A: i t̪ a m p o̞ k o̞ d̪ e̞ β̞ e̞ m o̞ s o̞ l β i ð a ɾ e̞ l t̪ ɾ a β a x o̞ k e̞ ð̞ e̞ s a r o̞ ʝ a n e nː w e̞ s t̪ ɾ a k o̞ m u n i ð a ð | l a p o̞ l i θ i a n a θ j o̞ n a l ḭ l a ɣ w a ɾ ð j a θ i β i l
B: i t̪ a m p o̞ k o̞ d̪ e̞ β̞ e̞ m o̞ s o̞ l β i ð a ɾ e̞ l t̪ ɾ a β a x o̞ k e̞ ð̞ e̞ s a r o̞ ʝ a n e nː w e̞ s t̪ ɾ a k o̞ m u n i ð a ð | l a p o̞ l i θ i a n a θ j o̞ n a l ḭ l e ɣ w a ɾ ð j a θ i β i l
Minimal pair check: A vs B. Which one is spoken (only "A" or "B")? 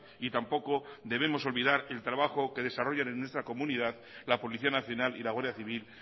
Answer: A